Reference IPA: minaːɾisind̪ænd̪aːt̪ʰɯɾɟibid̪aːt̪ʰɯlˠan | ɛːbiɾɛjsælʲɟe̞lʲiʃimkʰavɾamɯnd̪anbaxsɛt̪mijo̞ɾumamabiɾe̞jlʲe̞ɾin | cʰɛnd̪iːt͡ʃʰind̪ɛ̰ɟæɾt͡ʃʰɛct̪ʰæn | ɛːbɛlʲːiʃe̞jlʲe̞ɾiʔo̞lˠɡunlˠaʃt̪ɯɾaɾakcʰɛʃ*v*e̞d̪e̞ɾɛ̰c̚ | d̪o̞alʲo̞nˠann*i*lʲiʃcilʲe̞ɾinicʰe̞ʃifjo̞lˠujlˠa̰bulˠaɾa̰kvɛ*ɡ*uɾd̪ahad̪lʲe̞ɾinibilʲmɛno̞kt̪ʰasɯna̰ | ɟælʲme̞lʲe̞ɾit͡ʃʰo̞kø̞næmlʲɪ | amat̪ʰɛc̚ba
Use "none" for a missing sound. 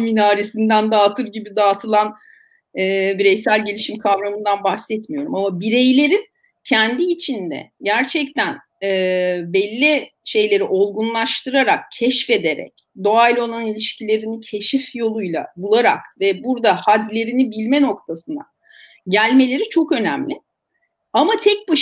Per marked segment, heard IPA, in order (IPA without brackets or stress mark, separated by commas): f, i, b